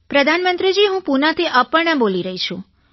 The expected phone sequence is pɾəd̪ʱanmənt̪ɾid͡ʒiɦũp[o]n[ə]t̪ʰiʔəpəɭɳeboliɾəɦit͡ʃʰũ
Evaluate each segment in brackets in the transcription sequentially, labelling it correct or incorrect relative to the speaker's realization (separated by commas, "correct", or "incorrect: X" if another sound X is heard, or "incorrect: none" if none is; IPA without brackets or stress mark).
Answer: incorrect: u, incorrect: a